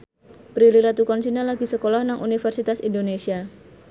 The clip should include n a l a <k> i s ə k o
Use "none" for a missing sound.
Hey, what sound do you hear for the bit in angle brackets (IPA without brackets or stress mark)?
ɡ